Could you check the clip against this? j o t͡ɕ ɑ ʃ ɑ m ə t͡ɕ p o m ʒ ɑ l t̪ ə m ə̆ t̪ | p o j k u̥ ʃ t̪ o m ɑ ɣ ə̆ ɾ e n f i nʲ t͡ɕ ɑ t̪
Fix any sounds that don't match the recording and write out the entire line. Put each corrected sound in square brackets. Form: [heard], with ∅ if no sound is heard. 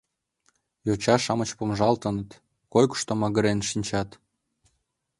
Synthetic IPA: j o t͡ɕ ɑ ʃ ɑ m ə t͡ɕ p o m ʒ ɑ l t̪ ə [n] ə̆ t̪ | [k] o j k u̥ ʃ t̪ o m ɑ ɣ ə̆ ɾ e n [ʃ] i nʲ t͡ɕ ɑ t̪